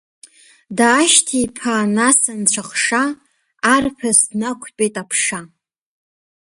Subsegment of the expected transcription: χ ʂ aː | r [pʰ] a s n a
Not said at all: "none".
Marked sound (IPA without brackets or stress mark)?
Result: pʰ